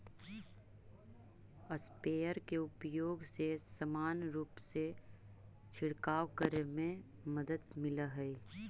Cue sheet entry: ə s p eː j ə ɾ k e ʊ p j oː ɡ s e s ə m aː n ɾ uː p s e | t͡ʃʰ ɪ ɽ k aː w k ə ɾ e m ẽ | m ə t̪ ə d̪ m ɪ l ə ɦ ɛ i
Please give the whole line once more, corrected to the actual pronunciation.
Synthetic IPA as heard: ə s p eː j ə ɾ k e ʊ p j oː ɡ s e s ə m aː n ɾ uː p s e | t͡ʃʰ ɪ ɽ k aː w k ə ɾ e m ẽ | m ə d̪ ə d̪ m ɪ l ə ɦ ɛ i